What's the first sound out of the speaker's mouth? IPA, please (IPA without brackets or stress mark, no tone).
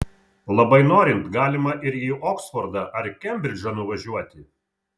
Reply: lˠ